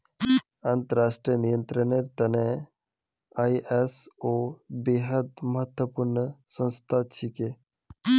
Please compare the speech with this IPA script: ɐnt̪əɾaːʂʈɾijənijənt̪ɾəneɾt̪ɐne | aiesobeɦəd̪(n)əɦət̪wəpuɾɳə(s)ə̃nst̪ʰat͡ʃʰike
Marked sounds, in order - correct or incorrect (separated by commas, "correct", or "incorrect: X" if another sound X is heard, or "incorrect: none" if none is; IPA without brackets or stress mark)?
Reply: incorrect: m, correct